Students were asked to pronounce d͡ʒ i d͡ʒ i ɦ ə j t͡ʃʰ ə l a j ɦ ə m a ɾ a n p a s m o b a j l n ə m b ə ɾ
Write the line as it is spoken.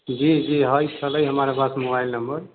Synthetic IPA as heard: d͡ʒ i d͡ʒ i ɦ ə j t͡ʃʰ ə l ə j ɦ ə m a ɾ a p a s m o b a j l n ə m b ə ɾ

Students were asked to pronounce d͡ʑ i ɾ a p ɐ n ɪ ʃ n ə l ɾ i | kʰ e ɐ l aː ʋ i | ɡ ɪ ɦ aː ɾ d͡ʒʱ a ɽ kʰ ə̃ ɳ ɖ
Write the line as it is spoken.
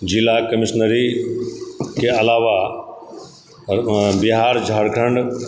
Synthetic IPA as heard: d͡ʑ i l a k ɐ m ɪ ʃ n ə ɾ i | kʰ e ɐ l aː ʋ a | b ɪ ɦ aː ɾ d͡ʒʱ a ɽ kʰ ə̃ ɳ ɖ

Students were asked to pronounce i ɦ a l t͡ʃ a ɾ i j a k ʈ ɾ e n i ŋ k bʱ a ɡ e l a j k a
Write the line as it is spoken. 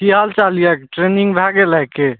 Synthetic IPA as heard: i ɦ a l t͡ʃ a l i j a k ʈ ɾ e n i ŋ ɡ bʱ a ɡ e l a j k e

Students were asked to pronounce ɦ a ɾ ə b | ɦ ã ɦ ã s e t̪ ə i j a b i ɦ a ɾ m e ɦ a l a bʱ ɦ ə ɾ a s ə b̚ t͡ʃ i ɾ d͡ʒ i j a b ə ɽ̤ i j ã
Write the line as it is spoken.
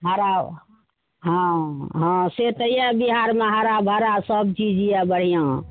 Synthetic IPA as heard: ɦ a ɾ a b | ɦ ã ɦ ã s e t̪ ə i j a b i ɦ a ɾ m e ɦ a ɾ a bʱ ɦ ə ɾ a s ə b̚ t͡ʃ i d͡ʒ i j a b ə ɽ̤ i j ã

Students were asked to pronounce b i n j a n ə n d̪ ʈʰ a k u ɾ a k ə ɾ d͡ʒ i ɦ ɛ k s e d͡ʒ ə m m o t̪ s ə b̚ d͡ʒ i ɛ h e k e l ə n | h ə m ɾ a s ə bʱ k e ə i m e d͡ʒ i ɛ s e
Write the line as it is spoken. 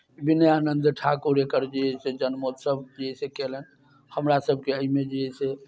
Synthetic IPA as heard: b i n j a n ə n d̪ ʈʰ a k u ɾ e k ə ɾ d͡ʒ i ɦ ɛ s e d͡ʒ ə n m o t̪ s ə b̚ d͡ʒ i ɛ s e k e l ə n | h ə m ɾ a s ə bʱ k e ə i m e d͡ʒ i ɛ s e

